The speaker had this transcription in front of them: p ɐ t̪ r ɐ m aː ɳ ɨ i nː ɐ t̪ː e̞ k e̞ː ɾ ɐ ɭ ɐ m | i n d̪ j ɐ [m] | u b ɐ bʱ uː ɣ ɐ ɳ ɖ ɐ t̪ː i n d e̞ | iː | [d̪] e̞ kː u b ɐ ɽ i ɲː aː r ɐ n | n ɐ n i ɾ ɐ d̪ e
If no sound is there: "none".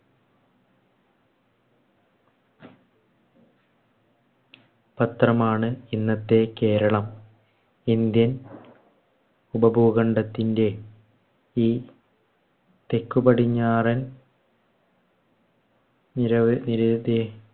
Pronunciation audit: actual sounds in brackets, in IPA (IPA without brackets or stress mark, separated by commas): n, t̪